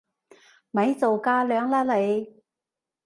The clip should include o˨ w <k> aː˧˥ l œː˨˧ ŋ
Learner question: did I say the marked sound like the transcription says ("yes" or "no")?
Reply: yes